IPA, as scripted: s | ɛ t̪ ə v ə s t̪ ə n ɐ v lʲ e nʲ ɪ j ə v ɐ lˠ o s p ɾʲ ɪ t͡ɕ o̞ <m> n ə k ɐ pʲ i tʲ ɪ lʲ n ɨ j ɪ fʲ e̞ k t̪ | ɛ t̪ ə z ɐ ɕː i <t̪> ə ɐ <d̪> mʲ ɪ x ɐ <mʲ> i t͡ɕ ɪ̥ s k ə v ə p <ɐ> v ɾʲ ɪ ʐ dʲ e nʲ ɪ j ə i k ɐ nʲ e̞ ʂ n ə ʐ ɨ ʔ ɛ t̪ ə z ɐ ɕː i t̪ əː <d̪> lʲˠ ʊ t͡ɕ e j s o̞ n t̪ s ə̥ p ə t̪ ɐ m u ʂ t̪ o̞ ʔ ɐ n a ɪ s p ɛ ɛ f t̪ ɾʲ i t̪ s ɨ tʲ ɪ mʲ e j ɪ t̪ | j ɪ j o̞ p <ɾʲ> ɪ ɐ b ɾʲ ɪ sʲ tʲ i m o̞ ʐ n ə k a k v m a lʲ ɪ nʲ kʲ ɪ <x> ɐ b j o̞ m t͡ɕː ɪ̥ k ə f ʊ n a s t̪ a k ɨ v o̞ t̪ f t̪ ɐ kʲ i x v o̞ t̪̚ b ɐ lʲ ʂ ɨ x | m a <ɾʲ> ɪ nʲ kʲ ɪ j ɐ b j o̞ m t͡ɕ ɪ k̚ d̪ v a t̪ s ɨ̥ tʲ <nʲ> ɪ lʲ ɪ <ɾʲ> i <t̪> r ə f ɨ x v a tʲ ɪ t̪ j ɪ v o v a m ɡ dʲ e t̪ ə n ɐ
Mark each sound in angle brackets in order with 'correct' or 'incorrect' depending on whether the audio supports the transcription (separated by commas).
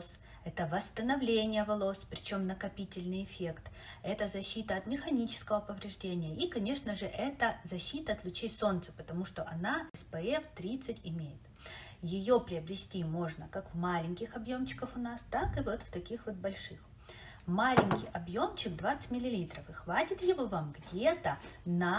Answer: correct, correct, incorrect, incorrect, incorrect, incorrect, correct, correct, incorrect, incorrect, incorrect, correct